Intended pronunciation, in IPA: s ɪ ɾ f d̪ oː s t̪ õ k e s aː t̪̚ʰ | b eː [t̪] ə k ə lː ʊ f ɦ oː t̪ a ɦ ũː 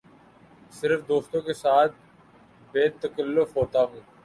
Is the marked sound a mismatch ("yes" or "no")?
no